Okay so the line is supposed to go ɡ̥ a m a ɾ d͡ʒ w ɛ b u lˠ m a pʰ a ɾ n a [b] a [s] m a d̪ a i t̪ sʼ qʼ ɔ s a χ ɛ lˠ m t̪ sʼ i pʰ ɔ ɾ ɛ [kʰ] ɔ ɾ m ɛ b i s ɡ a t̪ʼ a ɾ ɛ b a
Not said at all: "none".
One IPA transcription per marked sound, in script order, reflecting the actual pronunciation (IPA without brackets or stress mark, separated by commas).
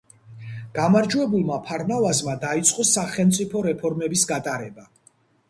v, z, pʰ